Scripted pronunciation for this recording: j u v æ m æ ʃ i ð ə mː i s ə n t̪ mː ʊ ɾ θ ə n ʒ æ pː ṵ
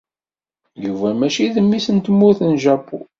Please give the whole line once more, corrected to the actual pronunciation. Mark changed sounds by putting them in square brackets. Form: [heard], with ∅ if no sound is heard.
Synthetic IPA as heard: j u v æ m æ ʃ i ð ə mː i s ə n t̪ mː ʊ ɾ θ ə n ʒ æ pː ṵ